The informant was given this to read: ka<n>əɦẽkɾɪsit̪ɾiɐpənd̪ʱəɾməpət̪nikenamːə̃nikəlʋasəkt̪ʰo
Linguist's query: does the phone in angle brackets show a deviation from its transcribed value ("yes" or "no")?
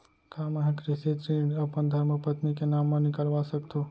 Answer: yes